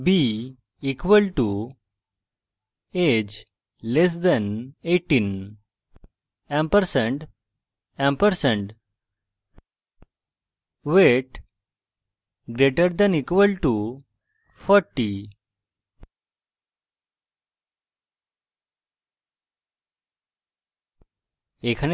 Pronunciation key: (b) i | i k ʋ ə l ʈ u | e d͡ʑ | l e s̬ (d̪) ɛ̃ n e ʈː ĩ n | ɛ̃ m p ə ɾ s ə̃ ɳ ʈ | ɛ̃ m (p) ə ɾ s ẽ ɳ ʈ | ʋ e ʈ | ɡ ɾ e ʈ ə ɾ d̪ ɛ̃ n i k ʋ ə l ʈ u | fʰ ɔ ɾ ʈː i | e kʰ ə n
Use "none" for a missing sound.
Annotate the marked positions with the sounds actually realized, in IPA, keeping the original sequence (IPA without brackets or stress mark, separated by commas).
b, d̪, p